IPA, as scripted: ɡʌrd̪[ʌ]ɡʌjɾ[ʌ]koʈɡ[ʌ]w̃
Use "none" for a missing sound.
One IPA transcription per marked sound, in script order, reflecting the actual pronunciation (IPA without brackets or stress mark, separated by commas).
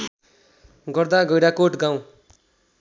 a, a, a